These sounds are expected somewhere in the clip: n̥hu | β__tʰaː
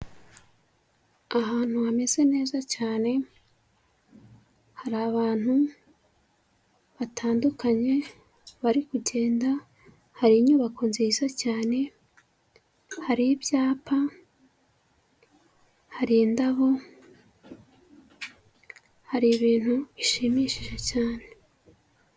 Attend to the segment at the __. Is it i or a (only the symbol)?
a